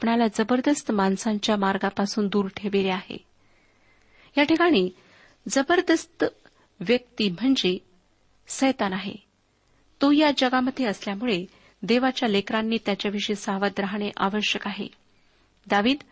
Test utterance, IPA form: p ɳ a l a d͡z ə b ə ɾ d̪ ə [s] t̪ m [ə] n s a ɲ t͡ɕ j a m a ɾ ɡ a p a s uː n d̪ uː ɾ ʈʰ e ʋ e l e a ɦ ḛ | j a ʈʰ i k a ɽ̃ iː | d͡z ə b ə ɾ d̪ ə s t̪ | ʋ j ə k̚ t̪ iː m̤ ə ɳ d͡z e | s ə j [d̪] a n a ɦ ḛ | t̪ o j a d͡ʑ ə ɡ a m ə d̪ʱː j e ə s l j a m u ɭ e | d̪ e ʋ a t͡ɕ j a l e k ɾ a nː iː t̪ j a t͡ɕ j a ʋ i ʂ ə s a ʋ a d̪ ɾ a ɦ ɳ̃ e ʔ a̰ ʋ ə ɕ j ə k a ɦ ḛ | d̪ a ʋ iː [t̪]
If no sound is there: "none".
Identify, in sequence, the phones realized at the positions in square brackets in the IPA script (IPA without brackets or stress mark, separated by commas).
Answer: s, a, t̪, d̪